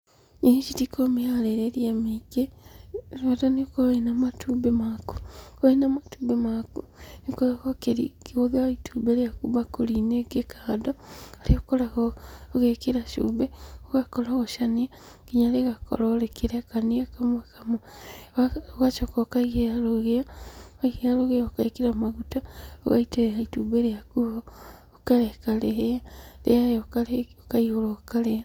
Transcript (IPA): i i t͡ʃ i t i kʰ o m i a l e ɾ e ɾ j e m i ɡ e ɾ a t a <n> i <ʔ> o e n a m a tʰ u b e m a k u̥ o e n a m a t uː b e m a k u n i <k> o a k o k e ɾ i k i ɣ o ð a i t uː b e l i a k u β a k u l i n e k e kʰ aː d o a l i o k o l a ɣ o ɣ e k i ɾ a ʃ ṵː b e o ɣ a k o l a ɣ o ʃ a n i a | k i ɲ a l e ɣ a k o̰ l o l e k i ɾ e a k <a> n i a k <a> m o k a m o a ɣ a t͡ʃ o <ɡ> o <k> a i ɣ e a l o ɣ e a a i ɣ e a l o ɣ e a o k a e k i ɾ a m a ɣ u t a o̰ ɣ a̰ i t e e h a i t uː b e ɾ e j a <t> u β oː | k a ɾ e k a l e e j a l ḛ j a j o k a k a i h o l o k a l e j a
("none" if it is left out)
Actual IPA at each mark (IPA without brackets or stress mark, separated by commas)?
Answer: n, k, k, a, a, k, k, k